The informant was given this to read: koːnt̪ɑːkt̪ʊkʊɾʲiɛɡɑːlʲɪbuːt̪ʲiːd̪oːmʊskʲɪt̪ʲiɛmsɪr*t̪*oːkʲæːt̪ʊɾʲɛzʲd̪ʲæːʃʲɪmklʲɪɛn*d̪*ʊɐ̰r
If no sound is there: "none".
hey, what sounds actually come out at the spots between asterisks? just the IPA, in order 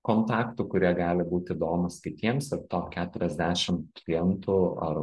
t̪, t̪

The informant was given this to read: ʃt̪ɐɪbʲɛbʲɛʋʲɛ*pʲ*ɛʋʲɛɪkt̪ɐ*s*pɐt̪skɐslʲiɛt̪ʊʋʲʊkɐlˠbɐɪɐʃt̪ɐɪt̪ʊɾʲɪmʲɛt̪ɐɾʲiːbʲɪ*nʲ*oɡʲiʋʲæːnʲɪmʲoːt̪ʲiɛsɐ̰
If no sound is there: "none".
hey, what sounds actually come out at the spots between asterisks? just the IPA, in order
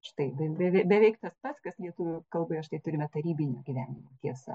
bʲ, s, nʲ

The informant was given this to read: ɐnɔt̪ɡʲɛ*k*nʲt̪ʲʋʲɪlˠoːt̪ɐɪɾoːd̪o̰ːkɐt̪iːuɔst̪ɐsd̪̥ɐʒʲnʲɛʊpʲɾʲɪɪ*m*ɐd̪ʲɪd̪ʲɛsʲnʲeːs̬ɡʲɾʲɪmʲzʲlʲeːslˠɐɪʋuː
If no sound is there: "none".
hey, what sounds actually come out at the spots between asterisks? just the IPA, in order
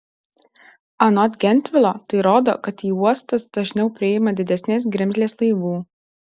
none, m

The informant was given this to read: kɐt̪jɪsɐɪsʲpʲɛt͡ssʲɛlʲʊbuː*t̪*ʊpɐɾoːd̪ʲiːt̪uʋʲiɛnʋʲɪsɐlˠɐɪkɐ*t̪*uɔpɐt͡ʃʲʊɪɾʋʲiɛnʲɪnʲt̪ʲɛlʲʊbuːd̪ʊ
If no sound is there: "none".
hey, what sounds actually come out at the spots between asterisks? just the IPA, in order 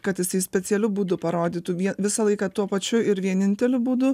d̪, t̪

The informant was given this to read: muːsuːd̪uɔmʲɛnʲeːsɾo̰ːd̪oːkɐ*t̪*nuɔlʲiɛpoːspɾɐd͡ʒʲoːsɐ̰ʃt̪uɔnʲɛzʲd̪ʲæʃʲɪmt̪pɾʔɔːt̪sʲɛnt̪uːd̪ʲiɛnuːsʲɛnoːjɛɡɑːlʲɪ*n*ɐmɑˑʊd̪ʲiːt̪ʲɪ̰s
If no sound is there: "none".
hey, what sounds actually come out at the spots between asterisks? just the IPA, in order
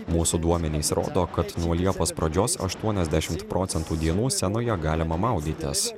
t̪, m

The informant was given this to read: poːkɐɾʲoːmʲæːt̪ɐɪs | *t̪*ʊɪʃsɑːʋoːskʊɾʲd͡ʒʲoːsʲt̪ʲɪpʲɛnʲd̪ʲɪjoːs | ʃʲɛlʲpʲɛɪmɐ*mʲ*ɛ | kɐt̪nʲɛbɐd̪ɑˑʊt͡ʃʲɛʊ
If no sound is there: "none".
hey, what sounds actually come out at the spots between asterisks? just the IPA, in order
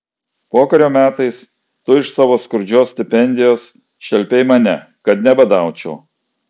t̪, nʲ

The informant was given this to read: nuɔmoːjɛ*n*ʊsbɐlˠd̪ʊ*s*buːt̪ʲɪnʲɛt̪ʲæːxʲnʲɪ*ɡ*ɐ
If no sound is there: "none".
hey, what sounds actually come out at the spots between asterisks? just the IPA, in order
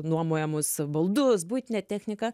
m, s, k

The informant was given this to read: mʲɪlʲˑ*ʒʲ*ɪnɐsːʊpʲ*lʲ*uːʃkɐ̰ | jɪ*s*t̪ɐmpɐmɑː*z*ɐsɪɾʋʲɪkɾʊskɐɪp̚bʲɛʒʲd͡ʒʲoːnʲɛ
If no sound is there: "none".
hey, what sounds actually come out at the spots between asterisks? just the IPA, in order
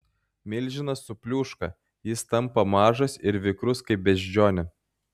ʒʲ, lʲ, s, ʒ

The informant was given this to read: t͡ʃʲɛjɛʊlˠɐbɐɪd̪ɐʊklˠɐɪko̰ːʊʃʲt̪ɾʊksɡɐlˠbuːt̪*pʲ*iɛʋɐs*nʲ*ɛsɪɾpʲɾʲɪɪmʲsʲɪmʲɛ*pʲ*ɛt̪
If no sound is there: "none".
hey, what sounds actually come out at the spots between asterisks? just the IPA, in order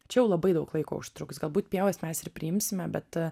pʲ, mʲ, bʲ

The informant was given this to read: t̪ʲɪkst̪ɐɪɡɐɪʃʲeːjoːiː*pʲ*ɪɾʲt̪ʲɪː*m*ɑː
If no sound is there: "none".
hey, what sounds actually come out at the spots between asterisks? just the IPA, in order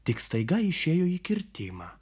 kʲ, m

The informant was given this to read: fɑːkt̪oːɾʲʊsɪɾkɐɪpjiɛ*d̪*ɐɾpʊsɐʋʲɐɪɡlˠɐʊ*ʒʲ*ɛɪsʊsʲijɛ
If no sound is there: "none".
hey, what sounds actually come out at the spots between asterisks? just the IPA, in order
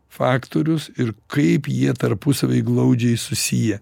t̪, d͡ʒʲ

